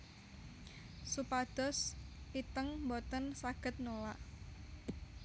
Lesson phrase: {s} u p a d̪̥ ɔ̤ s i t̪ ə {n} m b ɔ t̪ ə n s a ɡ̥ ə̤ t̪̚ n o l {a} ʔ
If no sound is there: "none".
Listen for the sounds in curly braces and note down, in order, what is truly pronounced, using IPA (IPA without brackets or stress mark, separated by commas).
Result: s, ŋ, a